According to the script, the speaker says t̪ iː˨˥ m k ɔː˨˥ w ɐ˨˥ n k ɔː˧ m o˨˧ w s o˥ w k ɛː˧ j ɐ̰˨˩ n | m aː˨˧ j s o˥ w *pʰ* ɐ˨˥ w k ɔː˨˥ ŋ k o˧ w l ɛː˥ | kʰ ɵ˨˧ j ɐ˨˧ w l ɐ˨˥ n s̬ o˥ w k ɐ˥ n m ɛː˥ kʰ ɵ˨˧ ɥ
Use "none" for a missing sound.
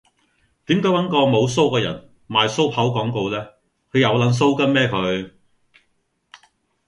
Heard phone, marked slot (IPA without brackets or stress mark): pʰ